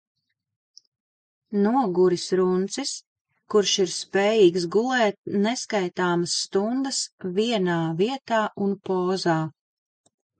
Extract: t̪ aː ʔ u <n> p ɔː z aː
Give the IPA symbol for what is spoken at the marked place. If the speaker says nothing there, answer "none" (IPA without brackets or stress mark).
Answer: n